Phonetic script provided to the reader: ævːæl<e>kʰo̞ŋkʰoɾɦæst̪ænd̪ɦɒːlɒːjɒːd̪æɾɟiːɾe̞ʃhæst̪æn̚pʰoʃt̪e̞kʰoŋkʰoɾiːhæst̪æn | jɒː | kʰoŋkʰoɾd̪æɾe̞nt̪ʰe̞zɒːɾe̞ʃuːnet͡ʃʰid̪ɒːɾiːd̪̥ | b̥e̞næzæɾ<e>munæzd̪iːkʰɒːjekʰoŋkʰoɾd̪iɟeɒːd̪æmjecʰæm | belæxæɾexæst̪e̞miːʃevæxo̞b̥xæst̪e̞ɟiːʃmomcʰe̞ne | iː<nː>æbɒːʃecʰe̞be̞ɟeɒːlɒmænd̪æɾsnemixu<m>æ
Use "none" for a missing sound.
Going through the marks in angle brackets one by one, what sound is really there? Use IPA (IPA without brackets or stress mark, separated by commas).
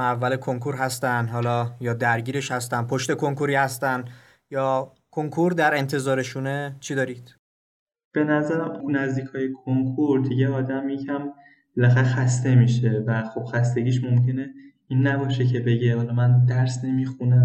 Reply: e, æ, nː, n